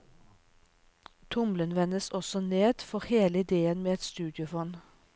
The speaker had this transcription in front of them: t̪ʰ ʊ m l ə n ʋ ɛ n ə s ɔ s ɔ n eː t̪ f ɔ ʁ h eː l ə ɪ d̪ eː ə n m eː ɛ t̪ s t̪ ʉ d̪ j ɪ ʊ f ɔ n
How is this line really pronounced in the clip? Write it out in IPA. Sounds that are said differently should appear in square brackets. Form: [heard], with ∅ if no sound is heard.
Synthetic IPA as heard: t̪ʰ ʊ m l ə n ʋ ɛ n ə s ɔ s ɔ n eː [d̪] f ɔ ʁ h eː l ə ɪ d̪ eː ə n m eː ɛ t̪ s t̪ [ʉː] d̪ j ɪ ʊ f ɔ n

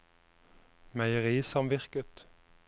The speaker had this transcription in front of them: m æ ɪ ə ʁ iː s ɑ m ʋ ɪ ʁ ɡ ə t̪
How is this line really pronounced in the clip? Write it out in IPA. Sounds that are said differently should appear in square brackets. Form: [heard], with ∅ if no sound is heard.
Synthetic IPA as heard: m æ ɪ ə ʁ iː s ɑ m ʋ ɪ ʁ [k] ə t̪

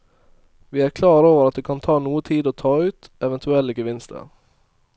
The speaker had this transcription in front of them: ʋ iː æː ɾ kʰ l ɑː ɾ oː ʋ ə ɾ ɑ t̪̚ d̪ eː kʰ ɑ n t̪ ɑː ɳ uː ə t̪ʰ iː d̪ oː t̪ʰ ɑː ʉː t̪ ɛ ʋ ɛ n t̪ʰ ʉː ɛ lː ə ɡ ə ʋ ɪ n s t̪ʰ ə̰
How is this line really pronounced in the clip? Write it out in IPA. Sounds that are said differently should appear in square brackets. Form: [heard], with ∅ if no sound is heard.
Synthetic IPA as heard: ʋ iː æː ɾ kʰ l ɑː ɾ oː ʋ ə ɾ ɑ t̪̚ d̪ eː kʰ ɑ n [t̪ʰ] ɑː [n] uː ə t̪ʰ iː d̪ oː t̪ʰ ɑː ʉː t̪ ɛ ʋ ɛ n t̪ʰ [ʉ] ɛ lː ə ɡ ə ʋ ɪ n s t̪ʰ ə̰

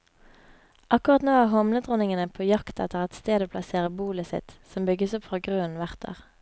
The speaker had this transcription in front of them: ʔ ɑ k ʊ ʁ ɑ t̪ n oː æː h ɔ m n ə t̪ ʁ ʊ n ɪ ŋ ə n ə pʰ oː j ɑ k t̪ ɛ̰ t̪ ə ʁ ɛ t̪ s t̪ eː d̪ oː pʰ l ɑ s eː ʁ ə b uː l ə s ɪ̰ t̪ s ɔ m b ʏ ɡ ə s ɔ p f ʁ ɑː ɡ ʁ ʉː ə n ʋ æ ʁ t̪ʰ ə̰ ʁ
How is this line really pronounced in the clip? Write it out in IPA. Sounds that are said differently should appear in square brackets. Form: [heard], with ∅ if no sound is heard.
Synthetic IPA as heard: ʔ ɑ k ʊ ʁ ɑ t̪ n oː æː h ɔ m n ə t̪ ʁ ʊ n ɪ ŋ ə n ə pʰ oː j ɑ k t̪ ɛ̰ t̪ ə ʁ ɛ t̪ s t̪ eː d̪ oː pʰ l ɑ s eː ʁ ə b uː l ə s ɪ̰ t̪ s ɔ m b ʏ ɡ ə s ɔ p f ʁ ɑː ɡ ʁ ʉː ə n ʋ æ ʁ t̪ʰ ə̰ ʁ

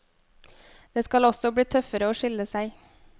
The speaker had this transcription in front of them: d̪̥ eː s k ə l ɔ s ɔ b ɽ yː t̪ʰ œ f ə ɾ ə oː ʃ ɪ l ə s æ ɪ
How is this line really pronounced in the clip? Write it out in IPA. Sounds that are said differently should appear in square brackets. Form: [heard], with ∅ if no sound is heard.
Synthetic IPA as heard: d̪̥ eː s k [ɑ] l ɔ s ɔ b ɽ [iː] t̪ʰ œ f ə ɾ ə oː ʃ ɪ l ə s æ ɪ

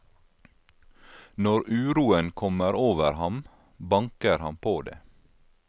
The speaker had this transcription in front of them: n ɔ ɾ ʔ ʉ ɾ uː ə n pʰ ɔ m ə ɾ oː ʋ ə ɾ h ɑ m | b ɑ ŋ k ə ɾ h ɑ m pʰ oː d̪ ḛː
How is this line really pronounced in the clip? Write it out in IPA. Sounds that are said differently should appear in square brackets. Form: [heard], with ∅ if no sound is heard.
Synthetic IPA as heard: n ɔ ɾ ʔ [ʉː] ɾ uː ə n [kʰ] ɔ m ə ɾ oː ʋ ə ɾ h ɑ m | b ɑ ŋ k ə ɾ h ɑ m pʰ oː d̪ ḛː

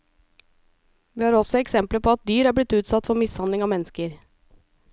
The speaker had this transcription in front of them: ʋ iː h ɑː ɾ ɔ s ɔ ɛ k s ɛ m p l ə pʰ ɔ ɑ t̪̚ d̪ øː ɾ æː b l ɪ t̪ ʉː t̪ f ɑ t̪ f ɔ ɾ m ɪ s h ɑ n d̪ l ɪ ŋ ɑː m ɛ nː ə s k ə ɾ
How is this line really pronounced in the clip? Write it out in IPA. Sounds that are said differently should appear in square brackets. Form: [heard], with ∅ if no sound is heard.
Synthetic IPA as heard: ʋ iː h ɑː ɾ ɔ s ɔ ɛ k s ɛ m p l ə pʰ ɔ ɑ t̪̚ d̪ [yː] ɾ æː b l ɪ t̪ ʉː t̪ [s] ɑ t̪ f ɔ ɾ m ɪ s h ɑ n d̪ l ɪ ŋ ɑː m ɛ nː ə s k ə ɾ

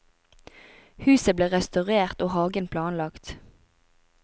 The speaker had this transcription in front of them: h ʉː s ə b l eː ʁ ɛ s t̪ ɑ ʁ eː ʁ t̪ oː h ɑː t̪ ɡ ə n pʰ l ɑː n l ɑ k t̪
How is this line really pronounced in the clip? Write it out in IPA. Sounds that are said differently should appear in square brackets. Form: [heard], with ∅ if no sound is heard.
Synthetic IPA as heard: h ʉː s ə b l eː ʁ ɛ s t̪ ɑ ʁ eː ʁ t̪ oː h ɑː [∅] ɡ ə n pʰ l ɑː n l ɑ k t̪

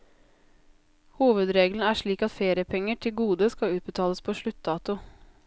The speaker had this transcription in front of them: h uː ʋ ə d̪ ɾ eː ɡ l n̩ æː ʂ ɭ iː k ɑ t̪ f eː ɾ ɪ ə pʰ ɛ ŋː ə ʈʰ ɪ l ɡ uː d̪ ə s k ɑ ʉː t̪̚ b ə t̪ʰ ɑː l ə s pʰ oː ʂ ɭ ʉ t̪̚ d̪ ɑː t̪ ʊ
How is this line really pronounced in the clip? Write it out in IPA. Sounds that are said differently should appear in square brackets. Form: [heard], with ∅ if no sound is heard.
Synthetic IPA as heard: h uː ʋ ə d̪ ɾ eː ɡ l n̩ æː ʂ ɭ iː k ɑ t̪ f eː ɾ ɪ ə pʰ ɛ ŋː ə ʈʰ ɪ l ɡ uː d̪ ə s k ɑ ʉː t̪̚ b ə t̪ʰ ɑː l ə s pʰ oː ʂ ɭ ʉ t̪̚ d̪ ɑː t̪ ʊ

